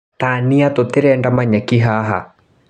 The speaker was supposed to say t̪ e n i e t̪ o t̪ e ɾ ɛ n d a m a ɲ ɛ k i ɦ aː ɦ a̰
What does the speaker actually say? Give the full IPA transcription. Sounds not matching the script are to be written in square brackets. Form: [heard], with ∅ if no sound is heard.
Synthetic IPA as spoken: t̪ [a] n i [a] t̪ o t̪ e ɾ ɛ n d a m a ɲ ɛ k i ɦ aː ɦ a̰